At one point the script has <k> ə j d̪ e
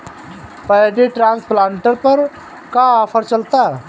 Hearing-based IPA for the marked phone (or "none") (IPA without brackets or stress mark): p